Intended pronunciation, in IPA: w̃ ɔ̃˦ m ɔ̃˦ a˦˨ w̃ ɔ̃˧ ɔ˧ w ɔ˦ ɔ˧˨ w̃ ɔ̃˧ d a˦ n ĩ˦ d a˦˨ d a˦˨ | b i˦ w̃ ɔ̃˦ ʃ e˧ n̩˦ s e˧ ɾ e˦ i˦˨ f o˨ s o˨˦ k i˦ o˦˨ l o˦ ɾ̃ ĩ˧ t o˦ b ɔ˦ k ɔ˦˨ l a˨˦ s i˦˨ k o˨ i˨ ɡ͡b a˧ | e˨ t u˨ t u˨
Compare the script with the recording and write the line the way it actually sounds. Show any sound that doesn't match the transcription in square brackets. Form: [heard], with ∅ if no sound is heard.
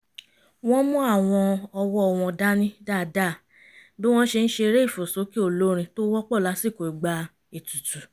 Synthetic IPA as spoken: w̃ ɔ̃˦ m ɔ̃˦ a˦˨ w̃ ɔ̃˧ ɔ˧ w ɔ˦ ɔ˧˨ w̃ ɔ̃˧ d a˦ n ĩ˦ d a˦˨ d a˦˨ | b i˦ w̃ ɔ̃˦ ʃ e˧ n̩˦ [ʃ] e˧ ɾ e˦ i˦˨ f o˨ s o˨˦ k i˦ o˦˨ l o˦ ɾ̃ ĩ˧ t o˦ [w] ɔ˦ [k͡p] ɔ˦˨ l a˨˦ s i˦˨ k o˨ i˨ ɡ͡b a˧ | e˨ t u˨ t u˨